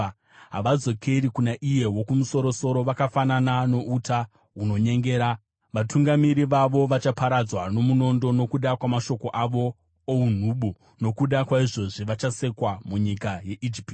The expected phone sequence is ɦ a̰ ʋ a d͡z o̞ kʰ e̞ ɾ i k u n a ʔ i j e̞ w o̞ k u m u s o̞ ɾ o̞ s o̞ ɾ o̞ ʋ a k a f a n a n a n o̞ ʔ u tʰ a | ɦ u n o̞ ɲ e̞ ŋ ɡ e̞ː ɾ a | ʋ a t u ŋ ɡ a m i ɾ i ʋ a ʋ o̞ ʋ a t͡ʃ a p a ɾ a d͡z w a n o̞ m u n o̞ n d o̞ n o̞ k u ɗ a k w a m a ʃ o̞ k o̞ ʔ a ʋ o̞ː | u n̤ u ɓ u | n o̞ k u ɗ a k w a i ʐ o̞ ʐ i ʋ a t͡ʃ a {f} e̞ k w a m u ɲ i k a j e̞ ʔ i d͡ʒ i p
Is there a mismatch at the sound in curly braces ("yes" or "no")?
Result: yes